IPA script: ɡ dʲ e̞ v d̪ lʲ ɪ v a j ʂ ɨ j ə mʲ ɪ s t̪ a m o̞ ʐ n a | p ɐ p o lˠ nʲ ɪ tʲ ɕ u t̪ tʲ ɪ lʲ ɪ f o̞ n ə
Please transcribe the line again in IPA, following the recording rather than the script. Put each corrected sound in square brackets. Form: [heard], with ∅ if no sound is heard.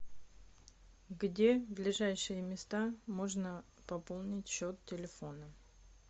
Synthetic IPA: ɡ dʲ e̞ v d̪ lʲ ɪ [ʐ] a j ʂ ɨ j ə mʲ ɪ s t̪ a m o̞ ʐ n [ə] | p ɐ p o lˠ nʲ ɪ tʲ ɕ [o] t̪ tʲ ɪ lʲ ɪ f o̞ n ə